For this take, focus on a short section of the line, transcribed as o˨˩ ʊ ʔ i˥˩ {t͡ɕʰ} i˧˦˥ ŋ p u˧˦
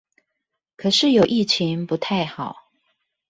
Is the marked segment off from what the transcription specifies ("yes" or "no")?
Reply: no